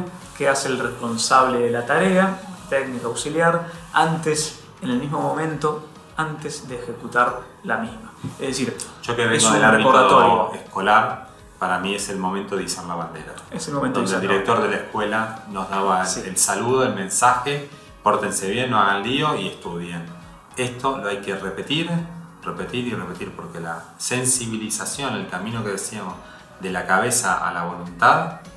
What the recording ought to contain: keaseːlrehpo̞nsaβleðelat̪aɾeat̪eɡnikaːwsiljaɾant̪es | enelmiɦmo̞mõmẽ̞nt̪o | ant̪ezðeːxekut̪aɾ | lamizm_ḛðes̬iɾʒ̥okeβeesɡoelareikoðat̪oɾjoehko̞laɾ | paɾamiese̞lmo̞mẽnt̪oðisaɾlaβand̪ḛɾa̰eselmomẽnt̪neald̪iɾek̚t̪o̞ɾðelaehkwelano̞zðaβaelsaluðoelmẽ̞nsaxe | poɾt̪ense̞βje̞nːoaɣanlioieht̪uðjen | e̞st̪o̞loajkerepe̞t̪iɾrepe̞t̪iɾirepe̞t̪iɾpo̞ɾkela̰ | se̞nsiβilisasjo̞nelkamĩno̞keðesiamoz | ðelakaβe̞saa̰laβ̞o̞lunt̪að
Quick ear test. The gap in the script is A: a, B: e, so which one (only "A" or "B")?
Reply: A